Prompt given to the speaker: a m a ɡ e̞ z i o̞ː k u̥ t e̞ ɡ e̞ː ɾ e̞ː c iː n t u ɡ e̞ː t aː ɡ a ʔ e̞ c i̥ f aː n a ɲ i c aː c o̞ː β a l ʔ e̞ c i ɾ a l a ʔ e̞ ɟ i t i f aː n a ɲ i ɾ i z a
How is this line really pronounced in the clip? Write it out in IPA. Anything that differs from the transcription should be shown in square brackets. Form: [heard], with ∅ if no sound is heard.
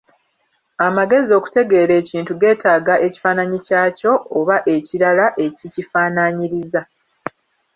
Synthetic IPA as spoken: a m a ɡ e̞ z i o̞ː k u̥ t e̞ ɡ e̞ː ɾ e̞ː c iː n t u ɡ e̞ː t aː ɡ a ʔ e̞ c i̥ f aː n a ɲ i c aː c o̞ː β a [∅] ʔ e̞ c i ɾ a l a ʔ e̞ [c] i [c] i f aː n a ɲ i ɾ i z a